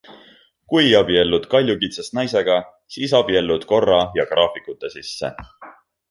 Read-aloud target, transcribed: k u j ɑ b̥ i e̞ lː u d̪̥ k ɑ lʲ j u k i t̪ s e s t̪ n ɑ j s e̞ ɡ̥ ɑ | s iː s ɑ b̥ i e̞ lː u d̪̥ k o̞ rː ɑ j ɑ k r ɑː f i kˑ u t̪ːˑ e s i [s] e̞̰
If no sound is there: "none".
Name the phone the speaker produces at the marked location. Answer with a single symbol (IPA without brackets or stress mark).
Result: sː